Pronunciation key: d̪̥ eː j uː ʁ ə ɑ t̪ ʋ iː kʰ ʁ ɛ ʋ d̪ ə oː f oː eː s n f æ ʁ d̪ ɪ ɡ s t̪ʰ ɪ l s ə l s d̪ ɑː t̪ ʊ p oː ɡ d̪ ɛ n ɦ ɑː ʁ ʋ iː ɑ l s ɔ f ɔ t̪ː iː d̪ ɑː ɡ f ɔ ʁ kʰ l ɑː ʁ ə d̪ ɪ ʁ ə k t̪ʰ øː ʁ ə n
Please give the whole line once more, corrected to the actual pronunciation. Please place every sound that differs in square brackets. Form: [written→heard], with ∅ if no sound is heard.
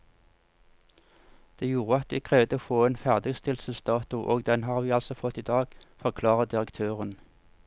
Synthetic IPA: d̪̥ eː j uː ʁ ə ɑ t̪ ʋ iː kʰ ʁ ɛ ʋ d̪ ə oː f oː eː [s→∅] n f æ ʁ d̪ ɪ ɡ s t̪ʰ ɪ l s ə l s d̪ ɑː t̪ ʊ [p→ʔ] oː ɡ d̪ ɛ n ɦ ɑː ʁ ʋ iː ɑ l s ɔ f ɔ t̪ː iː d̪ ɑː ɡ f ɔ ʁ kʰ l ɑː ʁ ə d̪ ɪ ʁ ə k t̪ʰ øː ʁ ə n